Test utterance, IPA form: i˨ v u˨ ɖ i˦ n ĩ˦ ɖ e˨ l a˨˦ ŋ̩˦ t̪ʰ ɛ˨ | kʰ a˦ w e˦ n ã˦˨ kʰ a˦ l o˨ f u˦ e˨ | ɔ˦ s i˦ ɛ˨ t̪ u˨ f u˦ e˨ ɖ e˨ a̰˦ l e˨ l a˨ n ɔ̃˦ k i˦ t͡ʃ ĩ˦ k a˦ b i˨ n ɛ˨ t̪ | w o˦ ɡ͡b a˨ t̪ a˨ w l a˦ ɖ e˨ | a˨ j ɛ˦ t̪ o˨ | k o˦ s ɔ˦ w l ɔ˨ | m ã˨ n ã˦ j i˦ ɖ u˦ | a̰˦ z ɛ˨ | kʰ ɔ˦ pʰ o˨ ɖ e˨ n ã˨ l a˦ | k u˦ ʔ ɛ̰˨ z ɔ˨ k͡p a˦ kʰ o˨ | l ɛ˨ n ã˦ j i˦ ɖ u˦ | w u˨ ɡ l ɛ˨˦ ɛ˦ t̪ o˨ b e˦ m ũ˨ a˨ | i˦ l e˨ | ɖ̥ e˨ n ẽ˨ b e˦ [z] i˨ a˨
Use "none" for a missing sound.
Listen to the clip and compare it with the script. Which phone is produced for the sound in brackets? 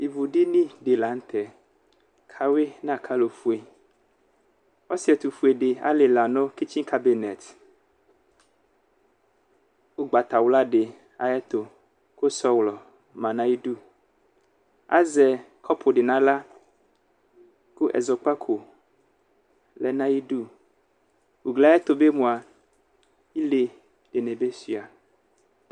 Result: s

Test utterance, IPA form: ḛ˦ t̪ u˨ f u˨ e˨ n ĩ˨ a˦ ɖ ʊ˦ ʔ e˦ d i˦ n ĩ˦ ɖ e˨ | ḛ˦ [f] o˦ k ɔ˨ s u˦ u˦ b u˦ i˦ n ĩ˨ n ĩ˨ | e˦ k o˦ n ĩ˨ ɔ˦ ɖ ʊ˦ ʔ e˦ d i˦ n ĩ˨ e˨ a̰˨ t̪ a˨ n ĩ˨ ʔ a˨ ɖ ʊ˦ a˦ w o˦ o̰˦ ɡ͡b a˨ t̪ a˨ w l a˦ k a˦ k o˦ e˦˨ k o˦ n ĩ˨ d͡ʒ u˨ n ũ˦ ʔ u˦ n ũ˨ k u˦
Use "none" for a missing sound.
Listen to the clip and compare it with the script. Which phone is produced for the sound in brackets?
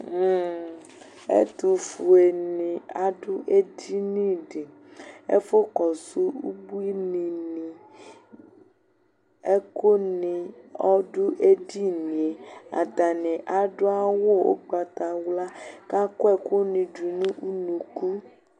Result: f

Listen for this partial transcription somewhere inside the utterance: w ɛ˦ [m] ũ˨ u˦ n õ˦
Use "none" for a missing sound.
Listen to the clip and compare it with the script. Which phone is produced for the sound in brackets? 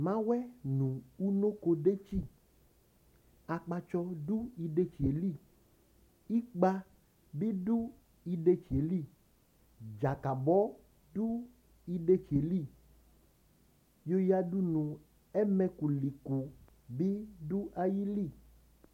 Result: n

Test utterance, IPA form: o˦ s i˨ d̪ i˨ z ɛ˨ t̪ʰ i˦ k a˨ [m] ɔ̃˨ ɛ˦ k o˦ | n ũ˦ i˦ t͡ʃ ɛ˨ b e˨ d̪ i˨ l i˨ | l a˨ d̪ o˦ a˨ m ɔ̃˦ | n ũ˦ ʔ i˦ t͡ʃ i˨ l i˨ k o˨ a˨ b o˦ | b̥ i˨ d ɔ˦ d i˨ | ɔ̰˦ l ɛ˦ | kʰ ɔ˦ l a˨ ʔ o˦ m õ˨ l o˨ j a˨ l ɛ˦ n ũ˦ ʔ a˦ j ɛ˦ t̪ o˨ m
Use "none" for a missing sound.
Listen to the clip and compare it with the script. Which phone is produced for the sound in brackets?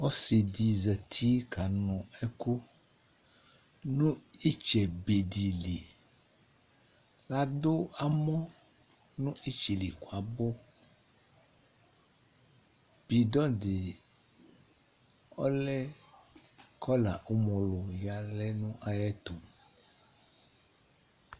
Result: n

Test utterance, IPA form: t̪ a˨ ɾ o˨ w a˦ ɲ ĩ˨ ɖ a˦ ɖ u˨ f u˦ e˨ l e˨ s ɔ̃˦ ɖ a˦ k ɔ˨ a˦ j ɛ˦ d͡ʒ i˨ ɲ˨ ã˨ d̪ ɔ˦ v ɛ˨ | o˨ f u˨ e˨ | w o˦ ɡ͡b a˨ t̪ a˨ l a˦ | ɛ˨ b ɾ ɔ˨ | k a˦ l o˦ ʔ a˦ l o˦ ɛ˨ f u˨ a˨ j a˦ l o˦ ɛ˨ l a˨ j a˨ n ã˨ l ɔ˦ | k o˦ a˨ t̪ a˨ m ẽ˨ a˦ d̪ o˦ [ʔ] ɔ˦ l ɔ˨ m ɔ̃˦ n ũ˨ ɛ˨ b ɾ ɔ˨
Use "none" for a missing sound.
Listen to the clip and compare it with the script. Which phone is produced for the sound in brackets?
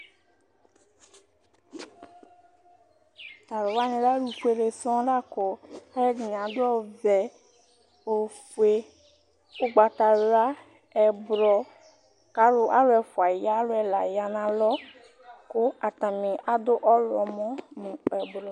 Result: ʔ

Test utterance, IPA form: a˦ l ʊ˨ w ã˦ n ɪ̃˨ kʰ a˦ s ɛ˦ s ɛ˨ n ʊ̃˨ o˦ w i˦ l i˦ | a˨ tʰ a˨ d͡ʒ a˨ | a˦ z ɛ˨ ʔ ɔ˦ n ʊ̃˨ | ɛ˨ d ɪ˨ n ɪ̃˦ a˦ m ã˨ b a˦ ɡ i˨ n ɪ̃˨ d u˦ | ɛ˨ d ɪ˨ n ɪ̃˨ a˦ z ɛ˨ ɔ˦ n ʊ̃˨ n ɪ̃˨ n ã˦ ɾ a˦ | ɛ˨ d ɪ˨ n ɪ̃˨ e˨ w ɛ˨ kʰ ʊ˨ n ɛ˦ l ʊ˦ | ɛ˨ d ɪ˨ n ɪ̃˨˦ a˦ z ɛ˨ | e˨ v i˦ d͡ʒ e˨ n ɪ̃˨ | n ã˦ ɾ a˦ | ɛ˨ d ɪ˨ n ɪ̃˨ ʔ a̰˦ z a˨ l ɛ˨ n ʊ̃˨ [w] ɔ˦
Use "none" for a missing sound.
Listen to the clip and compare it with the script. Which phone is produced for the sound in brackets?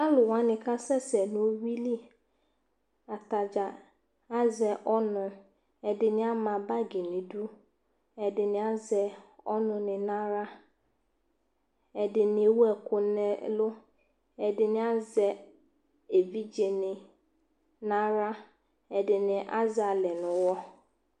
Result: w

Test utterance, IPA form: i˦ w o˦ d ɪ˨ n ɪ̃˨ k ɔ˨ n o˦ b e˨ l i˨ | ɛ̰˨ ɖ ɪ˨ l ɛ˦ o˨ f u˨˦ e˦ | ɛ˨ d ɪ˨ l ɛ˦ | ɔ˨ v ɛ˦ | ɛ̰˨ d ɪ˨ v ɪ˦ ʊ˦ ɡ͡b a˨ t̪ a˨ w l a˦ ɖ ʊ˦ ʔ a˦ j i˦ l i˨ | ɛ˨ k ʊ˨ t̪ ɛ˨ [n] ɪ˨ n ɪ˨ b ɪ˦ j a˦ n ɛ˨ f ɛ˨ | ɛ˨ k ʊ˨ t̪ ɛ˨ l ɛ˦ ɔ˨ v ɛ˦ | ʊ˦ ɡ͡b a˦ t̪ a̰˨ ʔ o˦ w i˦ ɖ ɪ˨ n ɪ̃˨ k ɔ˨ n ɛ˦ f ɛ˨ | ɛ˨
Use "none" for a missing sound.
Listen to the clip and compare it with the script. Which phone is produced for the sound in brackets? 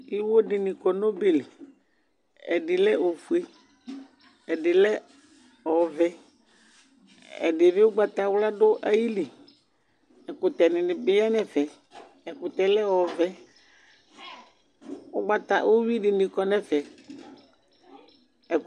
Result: n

